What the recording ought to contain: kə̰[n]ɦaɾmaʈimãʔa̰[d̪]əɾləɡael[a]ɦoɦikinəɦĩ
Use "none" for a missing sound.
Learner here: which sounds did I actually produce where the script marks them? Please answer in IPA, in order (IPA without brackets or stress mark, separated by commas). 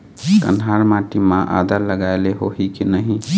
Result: n, d̪, e